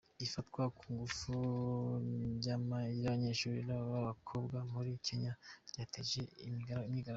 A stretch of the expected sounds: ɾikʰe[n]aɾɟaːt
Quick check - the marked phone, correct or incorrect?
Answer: incorrect